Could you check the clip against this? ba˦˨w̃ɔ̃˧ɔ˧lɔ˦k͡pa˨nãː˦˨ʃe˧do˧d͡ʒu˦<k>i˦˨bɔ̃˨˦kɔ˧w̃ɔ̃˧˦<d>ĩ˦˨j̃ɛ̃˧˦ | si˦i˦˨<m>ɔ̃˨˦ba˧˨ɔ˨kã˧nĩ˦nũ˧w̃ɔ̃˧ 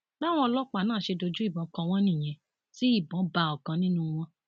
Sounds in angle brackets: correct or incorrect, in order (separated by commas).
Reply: incorrect, incorrect, incorrect